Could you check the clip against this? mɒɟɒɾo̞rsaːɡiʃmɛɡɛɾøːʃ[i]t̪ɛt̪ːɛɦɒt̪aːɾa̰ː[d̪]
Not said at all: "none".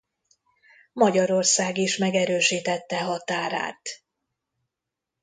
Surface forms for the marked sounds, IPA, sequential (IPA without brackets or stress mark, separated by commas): iː, t̪